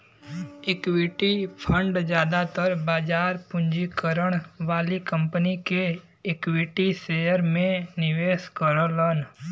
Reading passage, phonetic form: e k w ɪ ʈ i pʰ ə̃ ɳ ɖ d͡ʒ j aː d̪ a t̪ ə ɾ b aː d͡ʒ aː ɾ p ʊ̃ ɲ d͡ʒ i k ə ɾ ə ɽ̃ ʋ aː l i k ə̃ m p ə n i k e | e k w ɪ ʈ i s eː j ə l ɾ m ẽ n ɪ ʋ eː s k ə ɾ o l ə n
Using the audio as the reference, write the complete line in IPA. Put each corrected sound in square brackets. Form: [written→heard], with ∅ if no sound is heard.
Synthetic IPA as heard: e k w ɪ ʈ i pʰ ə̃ ɳ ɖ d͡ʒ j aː d̪ a t̪ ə ɾ b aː d͡ʒ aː ɾ p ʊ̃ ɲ d͡ʒ i k ə ɾ ə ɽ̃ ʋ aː l i k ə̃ m p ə n i k e | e k w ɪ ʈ i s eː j ə [l→∅] ɾ m ẽ n ɪ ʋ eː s k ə ɾ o l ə n